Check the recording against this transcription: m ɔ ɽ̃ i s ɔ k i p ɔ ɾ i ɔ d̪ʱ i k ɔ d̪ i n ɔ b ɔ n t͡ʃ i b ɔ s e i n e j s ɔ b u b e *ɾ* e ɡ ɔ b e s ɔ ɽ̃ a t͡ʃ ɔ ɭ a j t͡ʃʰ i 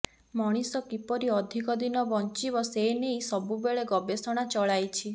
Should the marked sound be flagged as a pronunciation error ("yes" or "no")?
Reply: yes